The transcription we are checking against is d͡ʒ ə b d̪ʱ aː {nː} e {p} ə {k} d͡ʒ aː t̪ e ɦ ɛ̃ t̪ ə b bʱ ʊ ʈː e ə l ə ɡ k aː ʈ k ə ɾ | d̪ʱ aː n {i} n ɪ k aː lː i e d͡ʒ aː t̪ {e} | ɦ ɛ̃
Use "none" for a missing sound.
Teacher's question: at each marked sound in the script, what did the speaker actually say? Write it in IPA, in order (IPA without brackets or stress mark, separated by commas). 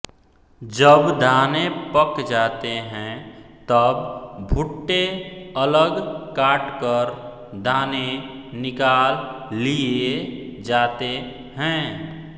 n, p, k, e, e